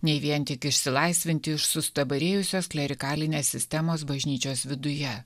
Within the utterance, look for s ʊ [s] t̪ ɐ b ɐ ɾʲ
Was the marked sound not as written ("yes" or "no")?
no